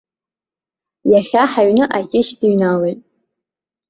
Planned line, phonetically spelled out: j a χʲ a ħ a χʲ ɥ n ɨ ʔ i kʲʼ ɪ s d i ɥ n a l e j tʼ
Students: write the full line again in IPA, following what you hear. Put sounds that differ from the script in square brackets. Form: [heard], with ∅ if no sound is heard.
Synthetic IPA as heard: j a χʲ a ħ a [∅] ɥ n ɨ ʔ [a] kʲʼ ɪ [ʃ] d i ɥ n a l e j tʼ